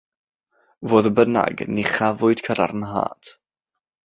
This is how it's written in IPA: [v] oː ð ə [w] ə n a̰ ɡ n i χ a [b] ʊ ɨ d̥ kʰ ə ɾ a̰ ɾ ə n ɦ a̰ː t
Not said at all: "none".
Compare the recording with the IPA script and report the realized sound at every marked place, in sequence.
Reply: v, b, v

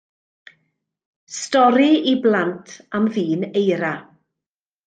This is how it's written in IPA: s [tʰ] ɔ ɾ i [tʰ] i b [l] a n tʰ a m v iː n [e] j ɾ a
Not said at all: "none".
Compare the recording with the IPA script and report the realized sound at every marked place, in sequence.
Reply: t, none, l, e

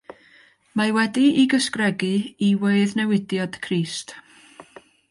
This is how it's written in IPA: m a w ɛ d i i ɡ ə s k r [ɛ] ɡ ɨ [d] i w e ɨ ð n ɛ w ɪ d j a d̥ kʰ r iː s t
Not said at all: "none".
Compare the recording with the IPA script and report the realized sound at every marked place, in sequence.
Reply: ɛ, none

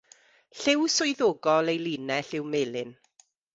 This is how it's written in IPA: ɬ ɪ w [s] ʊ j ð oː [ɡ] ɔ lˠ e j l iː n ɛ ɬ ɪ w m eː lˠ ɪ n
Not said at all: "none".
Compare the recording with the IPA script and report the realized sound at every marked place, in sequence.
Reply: s, ɡ

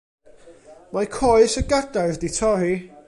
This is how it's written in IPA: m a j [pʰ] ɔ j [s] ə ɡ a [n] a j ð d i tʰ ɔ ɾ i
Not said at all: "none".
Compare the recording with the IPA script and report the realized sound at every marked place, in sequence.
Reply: kʰ, s, d

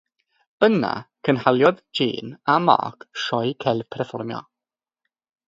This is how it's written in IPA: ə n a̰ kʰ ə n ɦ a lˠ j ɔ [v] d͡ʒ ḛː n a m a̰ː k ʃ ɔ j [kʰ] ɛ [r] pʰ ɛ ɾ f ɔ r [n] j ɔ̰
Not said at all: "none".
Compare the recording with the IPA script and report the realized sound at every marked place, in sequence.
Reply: ð, kʰ, l, m

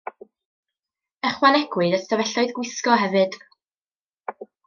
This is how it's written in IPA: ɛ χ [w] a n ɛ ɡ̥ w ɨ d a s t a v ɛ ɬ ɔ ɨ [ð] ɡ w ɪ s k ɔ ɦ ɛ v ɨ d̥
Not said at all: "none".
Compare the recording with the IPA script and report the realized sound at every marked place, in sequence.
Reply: w, ð

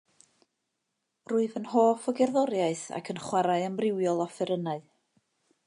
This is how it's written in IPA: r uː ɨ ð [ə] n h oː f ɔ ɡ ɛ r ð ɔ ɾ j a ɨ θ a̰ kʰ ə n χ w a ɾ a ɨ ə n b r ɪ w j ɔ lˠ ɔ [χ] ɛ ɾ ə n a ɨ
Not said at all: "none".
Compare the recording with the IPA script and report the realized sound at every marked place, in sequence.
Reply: ə, f

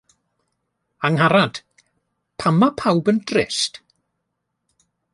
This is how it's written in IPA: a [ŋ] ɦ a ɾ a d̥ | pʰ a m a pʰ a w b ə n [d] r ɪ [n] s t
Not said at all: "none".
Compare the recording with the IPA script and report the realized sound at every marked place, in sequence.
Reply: ŋ, d, none

